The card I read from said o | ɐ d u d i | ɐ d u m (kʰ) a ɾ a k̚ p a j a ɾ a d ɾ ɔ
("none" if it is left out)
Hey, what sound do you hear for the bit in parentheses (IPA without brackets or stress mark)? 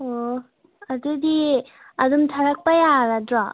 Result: tʰ